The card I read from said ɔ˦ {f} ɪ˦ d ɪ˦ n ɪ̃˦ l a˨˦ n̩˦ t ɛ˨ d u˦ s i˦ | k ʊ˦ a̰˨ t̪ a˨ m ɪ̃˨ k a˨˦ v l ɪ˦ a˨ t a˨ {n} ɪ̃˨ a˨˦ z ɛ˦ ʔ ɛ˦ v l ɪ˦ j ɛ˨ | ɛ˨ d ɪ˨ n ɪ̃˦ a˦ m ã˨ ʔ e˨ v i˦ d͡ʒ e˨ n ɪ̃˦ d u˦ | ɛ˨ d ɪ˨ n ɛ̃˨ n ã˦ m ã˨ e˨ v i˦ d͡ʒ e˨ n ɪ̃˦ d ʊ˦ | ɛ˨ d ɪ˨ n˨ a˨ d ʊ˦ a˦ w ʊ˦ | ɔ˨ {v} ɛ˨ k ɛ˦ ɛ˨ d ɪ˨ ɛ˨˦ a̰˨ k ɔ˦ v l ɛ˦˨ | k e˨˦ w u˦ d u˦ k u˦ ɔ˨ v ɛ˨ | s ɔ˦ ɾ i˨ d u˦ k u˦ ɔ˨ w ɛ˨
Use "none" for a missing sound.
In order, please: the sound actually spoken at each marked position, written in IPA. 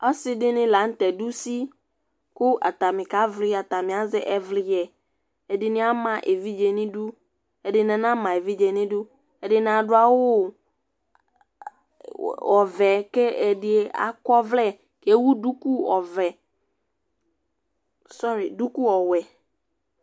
s, m, v

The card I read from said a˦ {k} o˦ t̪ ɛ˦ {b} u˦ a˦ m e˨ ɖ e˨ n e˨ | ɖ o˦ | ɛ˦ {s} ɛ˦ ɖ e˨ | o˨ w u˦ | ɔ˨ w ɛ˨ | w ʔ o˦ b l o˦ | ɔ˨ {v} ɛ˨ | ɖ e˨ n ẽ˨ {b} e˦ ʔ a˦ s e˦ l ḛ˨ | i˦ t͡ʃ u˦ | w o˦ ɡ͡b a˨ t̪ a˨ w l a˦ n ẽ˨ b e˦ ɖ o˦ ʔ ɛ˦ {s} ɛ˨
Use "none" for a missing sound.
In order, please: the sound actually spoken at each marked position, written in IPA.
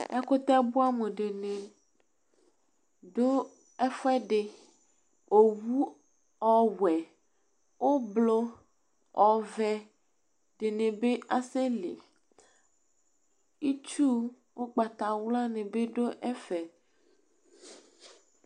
k, b, f, v, b, f

